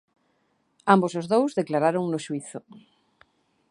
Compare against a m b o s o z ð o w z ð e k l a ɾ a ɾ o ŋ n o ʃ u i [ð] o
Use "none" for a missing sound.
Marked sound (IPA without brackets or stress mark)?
θ